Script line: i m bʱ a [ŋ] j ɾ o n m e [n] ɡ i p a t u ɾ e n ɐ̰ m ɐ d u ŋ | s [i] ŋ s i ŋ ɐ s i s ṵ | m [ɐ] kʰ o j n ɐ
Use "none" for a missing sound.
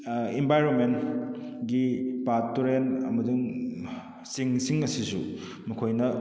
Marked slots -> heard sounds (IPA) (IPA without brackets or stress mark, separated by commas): none, n, i, ɐ